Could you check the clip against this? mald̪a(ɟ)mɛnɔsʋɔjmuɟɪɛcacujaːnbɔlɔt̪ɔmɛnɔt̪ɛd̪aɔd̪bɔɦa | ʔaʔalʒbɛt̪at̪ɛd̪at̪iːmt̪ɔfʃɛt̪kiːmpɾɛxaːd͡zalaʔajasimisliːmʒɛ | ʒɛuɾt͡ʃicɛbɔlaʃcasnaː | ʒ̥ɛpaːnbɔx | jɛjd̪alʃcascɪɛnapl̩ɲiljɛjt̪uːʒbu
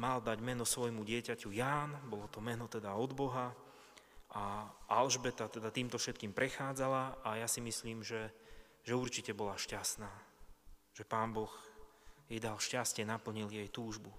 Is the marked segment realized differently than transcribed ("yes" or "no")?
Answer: no